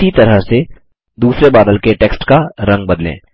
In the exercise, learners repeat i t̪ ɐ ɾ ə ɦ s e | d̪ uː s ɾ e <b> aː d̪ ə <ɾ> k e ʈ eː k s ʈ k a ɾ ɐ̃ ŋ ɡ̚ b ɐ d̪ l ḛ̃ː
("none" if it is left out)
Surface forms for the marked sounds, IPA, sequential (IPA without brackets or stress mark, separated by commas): b, l